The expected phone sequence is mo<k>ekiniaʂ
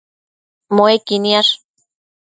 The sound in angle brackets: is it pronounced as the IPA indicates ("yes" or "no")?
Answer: no